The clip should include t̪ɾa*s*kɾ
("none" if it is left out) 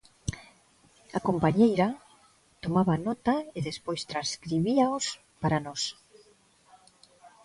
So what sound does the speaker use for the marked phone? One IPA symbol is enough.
s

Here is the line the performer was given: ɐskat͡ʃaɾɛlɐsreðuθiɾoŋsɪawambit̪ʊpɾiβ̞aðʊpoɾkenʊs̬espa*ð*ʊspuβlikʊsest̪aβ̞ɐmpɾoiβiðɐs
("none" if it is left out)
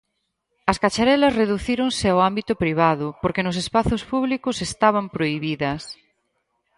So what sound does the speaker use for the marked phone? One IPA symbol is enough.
θ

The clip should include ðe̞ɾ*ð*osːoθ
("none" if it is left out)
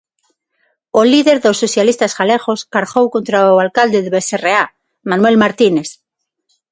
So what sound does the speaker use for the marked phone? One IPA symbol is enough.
ð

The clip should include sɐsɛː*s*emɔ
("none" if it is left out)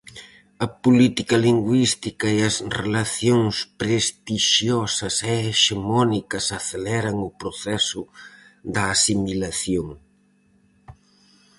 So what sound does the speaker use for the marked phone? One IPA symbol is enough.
ʃ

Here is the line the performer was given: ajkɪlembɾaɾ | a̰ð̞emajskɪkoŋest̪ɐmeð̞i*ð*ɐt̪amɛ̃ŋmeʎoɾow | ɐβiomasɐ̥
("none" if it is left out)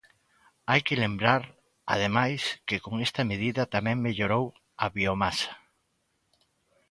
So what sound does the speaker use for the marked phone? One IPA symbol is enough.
ð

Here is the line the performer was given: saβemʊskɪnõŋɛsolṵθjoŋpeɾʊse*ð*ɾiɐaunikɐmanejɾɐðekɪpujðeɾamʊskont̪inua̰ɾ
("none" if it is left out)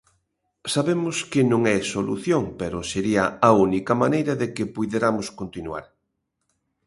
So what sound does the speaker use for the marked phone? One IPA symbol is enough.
none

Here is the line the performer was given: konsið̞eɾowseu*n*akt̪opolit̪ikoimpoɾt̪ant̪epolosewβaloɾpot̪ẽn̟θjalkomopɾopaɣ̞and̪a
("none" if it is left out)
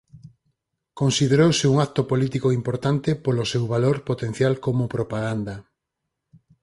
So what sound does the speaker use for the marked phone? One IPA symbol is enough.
ŋ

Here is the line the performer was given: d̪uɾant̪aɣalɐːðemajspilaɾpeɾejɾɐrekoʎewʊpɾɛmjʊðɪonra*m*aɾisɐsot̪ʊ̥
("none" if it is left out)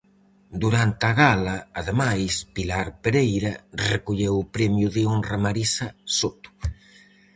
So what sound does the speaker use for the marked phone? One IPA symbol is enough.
m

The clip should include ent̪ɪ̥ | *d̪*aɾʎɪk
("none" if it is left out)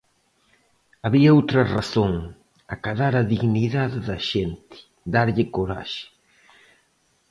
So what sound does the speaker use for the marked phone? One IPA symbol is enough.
d̪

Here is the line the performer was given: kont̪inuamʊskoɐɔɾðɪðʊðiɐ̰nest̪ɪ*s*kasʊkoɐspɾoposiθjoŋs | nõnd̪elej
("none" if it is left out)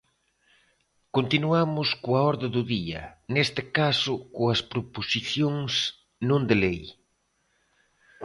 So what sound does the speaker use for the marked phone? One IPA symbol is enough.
none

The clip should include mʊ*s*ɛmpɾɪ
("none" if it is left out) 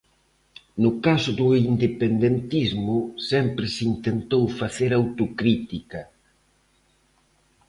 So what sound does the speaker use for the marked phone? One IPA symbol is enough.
s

